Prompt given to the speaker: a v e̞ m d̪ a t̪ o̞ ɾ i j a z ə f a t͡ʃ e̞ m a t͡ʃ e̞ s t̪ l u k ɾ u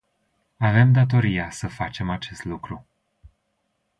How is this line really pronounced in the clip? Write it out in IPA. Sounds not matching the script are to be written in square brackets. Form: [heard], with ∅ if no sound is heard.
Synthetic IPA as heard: a v e̞ m d̪ a t̪ o̞ ɾ i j a [s] ə f a t͡ʃ e̞ m a t͡ʃ e̞ s t̪ l u k ɾ u